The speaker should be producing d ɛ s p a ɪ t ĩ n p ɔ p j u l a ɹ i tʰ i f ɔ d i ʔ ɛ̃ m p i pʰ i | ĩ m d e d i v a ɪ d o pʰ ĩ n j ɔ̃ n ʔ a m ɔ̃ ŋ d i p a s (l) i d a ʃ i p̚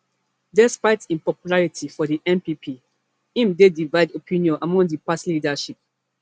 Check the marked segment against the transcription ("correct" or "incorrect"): correct